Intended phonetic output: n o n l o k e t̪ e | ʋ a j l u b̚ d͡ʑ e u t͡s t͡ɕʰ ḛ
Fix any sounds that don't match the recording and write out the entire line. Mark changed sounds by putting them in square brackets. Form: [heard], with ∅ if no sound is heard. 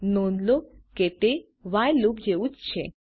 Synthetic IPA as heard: n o n l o k e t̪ e | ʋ a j l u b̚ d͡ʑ e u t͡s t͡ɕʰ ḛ